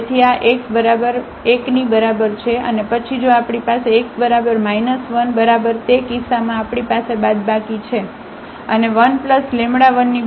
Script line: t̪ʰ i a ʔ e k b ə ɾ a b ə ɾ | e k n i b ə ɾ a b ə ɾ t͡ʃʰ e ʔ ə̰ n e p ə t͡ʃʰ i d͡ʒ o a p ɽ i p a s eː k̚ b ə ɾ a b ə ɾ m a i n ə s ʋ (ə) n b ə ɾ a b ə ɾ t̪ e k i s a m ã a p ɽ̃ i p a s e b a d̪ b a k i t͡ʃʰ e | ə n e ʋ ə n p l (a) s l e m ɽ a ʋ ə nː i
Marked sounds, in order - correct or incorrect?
correct, incorrect: ə

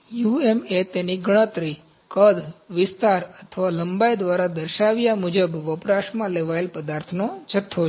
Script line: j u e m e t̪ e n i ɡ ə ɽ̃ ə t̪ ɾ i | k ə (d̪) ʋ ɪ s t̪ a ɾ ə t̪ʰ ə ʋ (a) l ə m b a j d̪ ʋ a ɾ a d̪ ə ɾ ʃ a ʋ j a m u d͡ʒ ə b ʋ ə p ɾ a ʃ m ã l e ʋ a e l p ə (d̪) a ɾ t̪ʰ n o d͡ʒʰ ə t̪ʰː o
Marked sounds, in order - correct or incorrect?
correct, correct, correct

